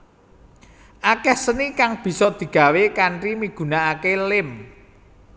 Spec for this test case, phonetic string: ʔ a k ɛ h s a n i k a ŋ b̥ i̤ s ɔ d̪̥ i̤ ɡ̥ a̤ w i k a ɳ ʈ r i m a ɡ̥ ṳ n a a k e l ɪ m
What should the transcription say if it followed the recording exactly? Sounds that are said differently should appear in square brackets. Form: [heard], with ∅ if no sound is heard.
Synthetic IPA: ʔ a k ɛ h s [ə] n i k a ŋ b̥ i̤ s ɔ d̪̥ i̤ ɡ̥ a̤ w [e] k a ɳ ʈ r i m [i] ɡ̥ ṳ n a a k e l ɪ m